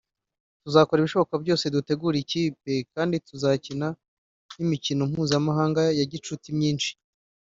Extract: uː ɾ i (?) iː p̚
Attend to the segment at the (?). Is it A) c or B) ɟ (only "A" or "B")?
A